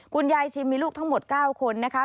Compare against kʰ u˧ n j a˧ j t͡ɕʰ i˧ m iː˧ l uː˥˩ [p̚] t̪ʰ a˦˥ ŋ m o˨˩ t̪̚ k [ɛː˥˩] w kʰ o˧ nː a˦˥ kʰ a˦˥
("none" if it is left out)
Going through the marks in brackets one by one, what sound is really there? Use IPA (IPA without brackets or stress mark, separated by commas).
k̚, aː˥˩